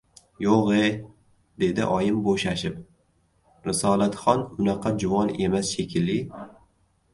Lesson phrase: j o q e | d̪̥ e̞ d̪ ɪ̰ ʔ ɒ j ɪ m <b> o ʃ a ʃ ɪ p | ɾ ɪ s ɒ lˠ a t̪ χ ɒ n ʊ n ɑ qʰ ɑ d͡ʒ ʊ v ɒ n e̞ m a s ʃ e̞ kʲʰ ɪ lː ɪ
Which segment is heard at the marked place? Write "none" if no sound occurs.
b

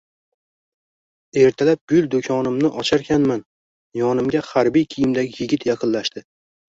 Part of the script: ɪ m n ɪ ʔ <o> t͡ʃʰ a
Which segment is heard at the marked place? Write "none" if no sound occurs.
ɒ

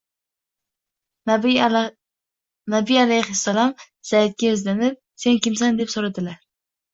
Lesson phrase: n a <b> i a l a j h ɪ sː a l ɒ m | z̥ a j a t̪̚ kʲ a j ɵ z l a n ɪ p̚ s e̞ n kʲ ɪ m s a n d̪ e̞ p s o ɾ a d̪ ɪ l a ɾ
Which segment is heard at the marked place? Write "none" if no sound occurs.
b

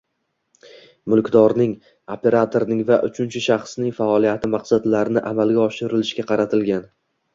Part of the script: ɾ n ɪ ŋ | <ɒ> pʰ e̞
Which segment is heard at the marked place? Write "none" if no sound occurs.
o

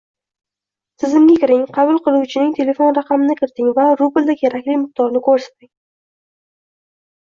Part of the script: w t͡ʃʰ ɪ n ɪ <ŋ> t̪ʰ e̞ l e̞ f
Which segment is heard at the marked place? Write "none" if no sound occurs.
ŋ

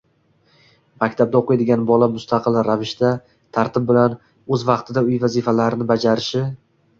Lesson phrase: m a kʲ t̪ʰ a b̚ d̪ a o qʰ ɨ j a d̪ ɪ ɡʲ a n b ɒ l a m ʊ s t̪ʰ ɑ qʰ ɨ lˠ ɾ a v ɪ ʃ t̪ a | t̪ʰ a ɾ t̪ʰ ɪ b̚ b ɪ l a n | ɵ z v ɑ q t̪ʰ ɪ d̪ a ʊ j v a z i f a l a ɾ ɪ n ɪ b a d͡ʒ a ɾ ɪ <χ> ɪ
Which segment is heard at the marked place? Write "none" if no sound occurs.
ʃ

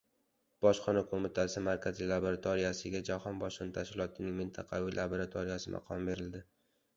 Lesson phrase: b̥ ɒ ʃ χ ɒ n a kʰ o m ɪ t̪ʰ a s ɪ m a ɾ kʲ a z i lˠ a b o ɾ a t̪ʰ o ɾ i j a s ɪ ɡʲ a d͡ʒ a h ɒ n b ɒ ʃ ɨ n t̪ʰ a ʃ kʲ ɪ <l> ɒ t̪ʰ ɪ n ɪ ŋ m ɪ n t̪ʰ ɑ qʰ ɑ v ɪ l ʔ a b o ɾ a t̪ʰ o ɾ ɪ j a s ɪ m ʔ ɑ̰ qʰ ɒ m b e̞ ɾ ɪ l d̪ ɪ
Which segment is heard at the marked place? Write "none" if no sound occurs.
l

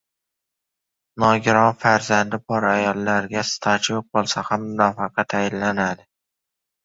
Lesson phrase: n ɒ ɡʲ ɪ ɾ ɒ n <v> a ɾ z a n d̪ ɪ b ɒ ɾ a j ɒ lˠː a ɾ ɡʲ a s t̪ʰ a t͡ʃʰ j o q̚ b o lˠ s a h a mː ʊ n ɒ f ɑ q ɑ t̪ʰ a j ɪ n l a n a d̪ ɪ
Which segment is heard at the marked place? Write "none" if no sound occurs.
f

